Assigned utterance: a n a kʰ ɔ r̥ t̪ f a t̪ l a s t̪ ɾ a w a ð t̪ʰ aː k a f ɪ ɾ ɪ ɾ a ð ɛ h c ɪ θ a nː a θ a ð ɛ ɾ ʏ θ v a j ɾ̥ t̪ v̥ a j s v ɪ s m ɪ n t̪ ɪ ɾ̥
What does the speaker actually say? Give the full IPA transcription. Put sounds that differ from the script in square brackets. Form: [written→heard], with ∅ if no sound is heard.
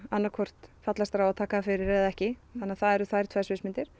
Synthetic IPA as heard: a [n→nː] a kʰ ɔ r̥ t̪ f a t̪ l a s t̪ ɾ a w a ð t̪ʰ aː k a f ɪ ɾ ɪ ɾ [a→ɛ] ð ɛ h c ɪ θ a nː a θ a ð ɛ ɾ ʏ θ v a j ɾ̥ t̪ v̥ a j s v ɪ s m ɪ n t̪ ɪ ɾ̥